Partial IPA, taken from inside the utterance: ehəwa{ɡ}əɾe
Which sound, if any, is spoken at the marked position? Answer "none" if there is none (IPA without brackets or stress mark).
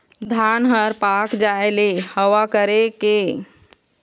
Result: k